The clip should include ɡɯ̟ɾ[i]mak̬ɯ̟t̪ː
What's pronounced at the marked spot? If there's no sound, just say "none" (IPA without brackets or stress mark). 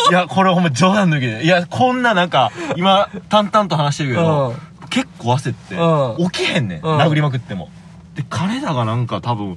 i